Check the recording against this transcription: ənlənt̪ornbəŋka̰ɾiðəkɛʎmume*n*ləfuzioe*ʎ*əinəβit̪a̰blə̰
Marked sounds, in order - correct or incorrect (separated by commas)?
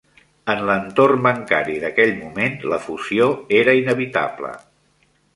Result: correct, incorrect